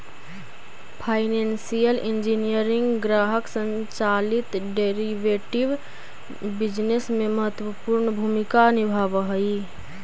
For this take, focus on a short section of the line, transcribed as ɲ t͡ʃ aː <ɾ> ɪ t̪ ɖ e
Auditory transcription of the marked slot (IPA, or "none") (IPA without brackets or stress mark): l